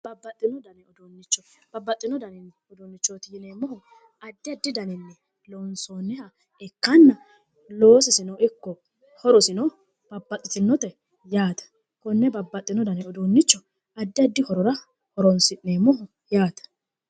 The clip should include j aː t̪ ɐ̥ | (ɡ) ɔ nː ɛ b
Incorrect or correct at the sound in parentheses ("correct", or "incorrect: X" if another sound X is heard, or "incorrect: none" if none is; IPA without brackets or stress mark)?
incorrect: k